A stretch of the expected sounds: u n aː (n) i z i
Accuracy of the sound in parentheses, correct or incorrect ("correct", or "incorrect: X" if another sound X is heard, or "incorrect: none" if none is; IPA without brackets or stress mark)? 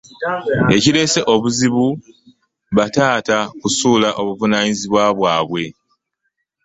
incorrect: ɲ